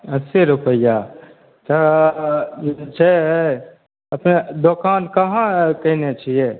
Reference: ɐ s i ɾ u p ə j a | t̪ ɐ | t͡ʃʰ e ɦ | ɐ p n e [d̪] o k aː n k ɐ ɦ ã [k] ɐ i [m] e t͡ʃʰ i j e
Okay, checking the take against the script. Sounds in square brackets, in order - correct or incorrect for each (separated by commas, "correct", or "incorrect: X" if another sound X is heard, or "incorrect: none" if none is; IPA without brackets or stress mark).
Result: correct, correct, incorrect: n